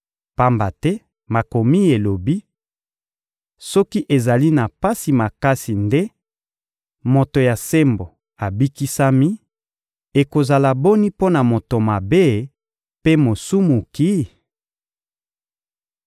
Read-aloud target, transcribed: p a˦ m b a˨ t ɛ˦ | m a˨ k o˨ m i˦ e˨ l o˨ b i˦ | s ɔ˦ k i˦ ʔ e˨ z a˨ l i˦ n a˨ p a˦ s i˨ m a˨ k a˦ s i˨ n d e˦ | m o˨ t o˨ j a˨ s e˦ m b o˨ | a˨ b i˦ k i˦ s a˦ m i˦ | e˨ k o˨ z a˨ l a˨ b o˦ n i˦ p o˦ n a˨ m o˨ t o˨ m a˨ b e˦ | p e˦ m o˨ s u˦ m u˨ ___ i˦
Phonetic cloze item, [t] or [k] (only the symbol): k